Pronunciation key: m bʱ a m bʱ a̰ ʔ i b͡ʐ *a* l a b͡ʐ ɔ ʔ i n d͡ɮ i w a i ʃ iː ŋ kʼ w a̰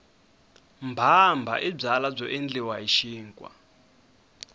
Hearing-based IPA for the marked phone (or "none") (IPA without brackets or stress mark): a